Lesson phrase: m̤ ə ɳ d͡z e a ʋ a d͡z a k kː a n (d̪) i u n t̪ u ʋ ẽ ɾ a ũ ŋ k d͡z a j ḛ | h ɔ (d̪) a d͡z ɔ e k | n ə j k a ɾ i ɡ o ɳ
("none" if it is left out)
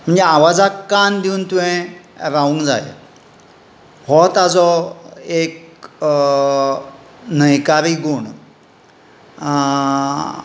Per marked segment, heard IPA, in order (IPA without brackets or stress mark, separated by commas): d̪, t̪